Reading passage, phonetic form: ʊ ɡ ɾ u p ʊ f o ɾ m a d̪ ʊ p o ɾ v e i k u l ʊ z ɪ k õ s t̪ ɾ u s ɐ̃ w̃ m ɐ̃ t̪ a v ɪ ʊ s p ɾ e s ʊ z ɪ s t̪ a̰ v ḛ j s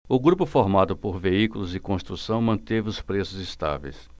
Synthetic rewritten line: ʊ ɡ ɾ u p ʊ f o ɾ m a d̪ ʊ p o ɾ v e i k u l ʊ z ɪ k õ s t̪ ɾ u s ɐ̃ w̃ m ɐ̃ t̪ e v ɪ ʊ s p ɾ e s ʊ z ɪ s t̪ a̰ v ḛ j s